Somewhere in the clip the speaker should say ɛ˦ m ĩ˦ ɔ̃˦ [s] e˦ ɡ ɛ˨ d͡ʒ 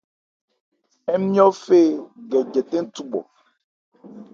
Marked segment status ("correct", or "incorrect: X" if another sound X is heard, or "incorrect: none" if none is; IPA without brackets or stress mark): incorrect: f